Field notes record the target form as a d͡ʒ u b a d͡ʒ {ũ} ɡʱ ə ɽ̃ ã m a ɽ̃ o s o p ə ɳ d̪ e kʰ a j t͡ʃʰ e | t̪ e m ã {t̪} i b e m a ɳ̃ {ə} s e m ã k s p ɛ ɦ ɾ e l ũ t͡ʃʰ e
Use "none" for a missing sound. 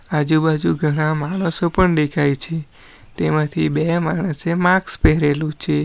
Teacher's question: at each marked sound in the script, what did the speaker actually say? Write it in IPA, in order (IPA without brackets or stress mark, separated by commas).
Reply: u, t̪ʰ, ə